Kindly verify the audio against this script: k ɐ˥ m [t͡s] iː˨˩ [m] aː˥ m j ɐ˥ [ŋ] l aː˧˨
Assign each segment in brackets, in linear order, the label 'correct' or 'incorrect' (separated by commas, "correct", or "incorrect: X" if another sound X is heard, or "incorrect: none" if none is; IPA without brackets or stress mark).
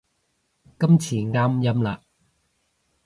incorrect: t͡sʰ, incorrect: ŋ, incorrect: m